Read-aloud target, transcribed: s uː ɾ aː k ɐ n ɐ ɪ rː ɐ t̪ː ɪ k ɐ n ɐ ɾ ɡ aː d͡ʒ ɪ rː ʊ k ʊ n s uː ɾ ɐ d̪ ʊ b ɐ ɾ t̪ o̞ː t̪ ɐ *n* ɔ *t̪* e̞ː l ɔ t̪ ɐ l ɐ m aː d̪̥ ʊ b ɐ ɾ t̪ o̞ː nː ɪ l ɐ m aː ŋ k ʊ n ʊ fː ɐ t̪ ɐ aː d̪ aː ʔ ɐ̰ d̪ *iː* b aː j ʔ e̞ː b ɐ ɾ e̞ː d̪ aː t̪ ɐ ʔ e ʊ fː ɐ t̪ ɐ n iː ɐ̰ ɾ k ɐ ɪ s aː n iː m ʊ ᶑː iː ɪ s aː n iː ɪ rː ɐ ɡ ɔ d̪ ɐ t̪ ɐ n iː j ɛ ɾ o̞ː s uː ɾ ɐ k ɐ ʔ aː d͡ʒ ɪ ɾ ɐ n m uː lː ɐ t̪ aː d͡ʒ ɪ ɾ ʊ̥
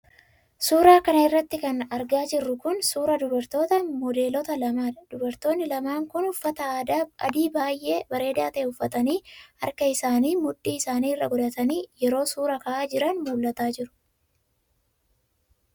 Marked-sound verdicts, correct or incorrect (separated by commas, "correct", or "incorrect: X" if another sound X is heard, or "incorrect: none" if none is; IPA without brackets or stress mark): incorrect: m, incorrect: d̪, correct